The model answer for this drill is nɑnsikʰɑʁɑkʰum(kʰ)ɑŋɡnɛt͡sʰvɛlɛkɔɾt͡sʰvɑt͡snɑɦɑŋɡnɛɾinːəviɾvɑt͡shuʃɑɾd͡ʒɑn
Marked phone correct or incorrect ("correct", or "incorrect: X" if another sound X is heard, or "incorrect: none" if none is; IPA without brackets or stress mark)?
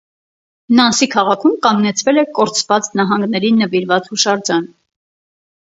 incorrect: k